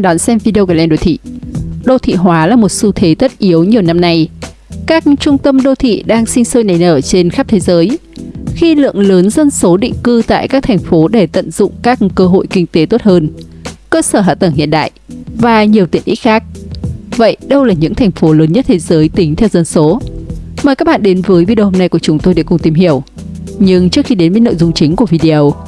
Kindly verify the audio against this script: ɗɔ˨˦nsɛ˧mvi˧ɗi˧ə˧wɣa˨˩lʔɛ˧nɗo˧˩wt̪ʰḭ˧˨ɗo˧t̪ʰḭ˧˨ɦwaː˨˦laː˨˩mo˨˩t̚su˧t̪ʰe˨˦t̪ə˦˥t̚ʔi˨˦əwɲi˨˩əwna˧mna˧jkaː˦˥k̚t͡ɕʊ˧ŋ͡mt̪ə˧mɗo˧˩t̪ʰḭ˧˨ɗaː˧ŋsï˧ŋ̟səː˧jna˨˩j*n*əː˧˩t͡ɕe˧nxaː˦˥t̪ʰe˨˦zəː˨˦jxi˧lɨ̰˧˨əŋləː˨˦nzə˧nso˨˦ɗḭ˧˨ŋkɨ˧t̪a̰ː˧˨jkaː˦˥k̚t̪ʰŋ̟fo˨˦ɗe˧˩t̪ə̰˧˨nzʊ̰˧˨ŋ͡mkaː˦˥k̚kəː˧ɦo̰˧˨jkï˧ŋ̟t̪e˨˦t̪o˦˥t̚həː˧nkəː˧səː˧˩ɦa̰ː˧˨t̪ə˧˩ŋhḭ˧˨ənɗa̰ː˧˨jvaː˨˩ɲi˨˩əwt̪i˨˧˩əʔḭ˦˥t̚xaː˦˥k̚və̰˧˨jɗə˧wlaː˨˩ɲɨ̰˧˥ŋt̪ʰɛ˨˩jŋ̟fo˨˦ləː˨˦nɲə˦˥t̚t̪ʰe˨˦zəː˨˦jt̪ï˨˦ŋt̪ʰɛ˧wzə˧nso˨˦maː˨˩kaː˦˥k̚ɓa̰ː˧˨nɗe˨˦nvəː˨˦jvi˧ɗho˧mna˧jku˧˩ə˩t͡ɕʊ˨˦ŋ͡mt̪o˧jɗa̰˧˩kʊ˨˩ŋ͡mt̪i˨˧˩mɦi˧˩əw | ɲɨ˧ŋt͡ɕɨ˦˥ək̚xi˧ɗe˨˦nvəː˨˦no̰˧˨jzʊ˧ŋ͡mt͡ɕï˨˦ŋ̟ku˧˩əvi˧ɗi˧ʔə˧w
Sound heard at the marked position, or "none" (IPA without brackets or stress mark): n